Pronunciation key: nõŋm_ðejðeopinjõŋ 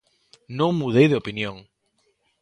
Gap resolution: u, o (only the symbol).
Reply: u